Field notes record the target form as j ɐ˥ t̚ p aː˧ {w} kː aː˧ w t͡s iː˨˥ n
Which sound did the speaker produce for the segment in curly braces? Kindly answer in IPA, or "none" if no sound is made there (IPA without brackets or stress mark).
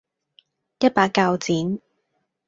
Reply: none